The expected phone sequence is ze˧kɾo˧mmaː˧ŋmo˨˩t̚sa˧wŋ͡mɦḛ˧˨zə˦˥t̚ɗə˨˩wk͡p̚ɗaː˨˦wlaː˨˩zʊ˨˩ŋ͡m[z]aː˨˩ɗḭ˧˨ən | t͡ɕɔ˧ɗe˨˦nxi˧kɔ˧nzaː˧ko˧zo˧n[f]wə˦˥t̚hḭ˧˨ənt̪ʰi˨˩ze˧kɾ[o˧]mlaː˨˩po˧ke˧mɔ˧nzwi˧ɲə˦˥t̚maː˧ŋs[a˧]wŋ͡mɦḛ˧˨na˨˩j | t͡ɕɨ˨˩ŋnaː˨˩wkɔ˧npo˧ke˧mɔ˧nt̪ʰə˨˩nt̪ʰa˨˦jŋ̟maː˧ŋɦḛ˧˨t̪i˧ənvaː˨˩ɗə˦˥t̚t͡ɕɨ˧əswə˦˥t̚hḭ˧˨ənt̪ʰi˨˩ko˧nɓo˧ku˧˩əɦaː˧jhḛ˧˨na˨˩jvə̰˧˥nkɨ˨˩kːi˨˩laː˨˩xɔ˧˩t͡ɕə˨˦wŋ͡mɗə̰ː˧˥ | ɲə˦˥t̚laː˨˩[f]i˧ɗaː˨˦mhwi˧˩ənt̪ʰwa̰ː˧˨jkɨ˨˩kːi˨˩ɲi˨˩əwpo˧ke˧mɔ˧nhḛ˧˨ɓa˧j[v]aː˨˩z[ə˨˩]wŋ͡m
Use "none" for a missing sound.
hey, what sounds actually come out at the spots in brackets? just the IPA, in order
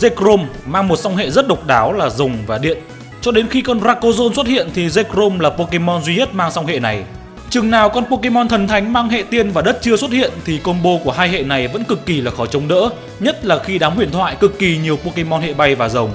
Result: v, s, o˧, a˧, x, v, ə˨˩

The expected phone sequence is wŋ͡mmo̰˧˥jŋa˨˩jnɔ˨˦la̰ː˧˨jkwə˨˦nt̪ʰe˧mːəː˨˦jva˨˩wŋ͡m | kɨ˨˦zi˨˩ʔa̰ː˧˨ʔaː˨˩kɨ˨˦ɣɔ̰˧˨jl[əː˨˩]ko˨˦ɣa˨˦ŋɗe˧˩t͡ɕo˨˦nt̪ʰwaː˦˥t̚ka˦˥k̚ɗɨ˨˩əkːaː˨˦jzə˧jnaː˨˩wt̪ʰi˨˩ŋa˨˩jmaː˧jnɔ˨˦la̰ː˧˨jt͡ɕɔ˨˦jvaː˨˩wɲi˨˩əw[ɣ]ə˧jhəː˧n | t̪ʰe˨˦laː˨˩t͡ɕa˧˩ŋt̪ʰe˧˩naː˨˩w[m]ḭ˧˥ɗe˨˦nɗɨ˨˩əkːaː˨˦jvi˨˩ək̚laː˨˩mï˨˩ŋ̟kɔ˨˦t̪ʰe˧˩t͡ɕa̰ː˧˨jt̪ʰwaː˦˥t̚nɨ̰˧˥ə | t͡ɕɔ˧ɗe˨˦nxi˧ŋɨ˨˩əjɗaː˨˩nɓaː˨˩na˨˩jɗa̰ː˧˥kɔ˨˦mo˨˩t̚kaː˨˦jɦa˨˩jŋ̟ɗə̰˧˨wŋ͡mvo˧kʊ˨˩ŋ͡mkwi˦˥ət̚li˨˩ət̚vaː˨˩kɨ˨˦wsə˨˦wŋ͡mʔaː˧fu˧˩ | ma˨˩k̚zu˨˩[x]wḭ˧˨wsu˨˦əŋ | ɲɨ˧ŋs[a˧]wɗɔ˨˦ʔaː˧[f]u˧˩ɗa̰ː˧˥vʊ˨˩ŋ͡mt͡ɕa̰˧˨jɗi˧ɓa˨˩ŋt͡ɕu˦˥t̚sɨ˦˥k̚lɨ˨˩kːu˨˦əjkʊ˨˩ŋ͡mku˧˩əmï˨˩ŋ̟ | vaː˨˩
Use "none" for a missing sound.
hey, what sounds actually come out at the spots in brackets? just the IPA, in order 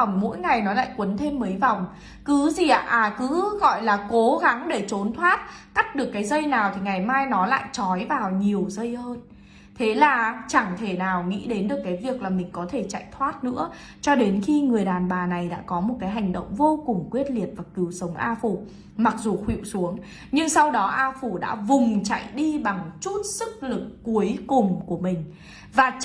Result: aː˨˩, z, ŋ, x, a˧, f

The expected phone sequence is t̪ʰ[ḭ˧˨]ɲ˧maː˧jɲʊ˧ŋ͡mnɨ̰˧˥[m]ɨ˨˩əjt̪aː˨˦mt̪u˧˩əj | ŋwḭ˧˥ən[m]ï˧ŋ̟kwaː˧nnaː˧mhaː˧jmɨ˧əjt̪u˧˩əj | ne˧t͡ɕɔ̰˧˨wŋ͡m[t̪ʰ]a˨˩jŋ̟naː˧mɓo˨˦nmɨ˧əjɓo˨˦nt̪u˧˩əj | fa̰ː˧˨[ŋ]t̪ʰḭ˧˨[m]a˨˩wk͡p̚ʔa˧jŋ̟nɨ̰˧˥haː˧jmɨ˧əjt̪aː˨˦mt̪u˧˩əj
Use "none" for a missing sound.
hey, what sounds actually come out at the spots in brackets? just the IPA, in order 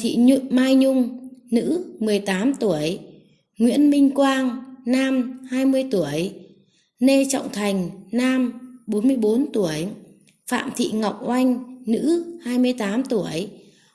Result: ḭ˧˨, m, m, t̪ʰ, m, ŋ

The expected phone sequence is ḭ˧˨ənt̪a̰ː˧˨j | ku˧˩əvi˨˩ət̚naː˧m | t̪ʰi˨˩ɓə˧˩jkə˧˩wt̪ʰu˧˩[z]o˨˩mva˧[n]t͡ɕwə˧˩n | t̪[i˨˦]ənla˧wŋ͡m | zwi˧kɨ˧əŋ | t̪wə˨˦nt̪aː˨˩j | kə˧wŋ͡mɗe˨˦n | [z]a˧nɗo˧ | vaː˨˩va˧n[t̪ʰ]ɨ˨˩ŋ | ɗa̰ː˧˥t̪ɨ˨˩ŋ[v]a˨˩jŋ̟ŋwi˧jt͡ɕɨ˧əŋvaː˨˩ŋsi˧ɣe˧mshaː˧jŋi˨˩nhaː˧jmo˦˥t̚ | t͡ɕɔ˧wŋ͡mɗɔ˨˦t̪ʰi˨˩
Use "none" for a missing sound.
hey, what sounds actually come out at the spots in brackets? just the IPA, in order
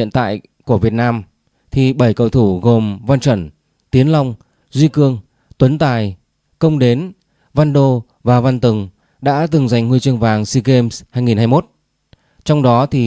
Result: ɣ, n, i˨˦, v, t̪, z

